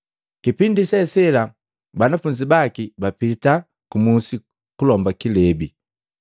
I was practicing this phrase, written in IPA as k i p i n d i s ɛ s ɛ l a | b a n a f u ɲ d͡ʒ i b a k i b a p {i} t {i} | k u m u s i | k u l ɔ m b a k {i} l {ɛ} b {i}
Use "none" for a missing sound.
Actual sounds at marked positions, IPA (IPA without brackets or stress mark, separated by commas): i, a, i, ɛ, i